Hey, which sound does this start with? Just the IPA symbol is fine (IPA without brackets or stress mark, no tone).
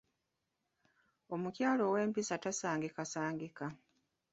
o̞